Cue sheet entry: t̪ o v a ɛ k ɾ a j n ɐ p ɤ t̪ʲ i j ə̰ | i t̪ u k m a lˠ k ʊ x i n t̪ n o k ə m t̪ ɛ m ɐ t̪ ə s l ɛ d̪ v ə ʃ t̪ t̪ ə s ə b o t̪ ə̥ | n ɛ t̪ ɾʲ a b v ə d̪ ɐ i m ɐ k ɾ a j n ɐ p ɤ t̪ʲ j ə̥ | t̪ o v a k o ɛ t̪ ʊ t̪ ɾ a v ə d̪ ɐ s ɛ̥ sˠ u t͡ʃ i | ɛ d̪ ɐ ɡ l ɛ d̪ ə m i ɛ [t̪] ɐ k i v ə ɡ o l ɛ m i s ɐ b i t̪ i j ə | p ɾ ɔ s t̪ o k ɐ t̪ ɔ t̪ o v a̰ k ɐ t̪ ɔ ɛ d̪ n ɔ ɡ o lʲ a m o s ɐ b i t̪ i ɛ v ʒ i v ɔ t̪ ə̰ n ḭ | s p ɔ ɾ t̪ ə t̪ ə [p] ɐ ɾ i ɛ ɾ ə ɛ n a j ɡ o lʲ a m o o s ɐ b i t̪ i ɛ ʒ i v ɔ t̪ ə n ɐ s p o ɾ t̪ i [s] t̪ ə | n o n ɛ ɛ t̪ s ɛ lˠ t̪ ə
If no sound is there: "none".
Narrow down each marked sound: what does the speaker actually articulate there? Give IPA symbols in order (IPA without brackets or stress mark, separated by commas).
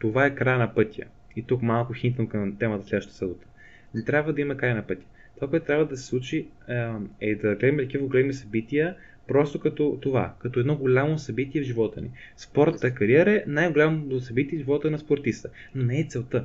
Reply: t̪, k, s